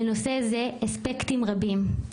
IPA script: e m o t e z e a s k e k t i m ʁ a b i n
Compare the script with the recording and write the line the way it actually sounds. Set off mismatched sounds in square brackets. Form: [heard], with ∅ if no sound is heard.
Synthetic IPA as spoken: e [n] o [s] e z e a s [p] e k t i m ʁ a b i [m]